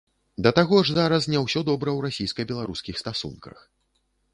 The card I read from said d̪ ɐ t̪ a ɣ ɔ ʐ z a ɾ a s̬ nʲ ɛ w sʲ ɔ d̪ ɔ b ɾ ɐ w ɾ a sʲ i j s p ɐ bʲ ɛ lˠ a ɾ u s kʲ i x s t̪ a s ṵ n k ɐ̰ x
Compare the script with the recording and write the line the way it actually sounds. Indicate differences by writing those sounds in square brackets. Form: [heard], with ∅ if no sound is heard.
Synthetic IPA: d̪ ɐ t̪ a ɣ ɔ ʐ z a ɾ [ɐ] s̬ nʲ ɛ w sʲ ɔ d̪ ɔ b ɾ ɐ w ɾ a sʲ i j s [k] ɐ bʲ ɛ lˠ a ɾ u s kʲ i x s t̪ a s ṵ n k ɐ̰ x